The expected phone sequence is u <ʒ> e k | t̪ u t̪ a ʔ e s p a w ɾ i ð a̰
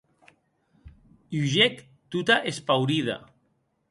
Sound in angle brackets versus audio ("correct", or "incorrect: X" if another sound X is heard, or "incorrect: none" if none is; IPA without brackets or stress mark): correct